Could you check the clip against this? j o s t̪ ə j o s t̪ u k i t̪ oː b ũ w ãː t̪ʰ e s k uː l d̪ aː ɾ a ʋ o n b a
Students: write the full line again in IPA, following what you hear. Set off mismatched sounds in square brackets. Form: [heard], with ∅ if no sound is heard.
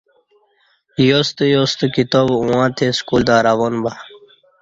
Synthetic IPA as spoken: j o s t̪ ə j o s t̪ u k i t̪ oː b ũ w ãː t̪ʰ e s k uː l d̪ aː ɾ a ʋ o n b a

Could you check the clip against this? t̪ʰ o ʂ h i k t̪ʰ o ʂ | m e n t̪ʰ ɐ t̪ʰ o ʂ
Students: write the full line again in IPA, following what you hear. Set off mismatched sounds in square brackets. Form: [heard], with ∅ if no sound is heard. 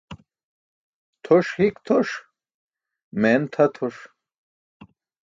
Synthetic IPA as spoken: t̪ʰ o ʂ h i k t̪ʰ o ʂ | m e n t̪ʰ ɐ t̪ʰ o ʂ

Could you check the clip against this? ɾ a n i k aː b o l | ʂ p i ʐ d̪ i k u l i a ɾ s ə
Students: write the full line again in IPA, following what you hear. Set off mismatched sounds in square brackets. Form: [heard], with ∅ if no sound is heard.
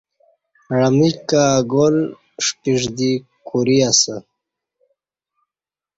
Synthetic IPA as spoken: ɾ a [m] i k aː [ɡ] o l | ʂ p i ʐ d̪ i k u [ɾ] i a [∅] s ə

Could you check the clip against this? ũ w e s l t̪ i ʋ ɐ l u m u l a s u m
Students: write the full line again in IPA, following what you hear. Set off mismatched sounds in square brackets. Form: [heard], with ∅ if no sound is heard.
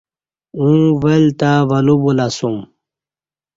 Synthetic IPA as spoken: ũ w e [∅] l t̪ [a] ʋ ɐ l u [b] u l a s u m

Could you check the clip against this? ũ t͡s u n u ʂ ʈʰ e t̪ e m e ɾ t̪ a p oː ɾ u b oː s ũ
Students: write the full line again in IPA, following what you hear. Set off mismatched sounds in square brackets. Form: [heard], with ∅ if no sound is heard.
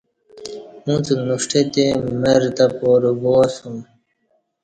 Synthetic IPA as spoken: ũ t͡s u n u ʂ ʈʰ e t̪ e m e ɾ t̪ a p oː ɾ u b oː s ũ

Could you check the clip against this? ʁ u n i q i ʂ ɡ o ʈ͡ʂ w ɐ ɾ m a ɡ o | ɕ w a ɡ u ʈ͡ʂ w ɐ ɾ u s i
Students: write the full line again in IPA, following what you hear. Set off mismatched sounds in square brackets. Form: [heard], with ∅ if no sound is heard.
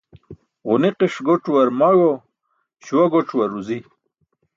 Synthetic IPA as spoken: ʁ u n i q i ʂ ɡ o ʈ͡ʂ w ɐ ɾ m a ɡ o | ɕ w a ɡ [o] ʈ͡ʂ w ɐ ɾ u [z] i

